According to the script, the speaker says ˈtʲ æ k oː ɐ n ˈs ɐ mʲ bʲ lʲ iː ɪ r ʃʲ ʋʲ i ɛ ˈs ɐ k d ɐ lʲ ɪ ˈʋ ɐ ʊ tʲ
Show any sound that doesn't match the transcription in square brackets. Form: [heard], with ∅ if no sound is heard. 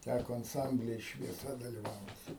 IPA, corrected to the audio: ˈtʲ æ k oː ɐ n ˈs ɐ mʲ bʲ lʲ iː ɪ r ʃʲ ʋʲ i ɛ ˈs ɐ [∅] d ɐ lʲ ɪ ˈʋ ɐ ʊ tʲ